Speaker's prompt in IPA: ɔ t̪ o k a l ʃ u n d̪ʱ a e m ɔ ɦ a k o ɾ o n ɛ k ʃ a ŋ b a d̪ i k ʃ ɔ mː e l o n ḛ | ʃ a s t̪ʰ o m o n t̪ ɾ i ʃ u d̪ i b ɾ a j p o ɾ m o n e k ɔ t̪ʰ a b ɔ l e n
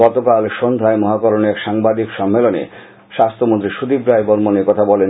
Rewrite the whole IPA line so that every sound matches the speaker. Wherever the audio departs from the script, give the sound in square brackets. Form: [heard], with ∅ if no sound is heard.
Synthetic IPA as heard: ɔ t̪ o k a l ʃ [o] n d̪ʱ a e m ɔ ɦ a k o ɾ o n ɛ k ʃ a ŋ b a d̪ i k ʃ ɔ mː e l o n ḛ | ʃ a s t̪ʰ o m o n t̪ ɾ i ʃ u d̪ i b ɾ a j [b] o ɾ m o n e k ɔ t̪ʰ a b ɔ l e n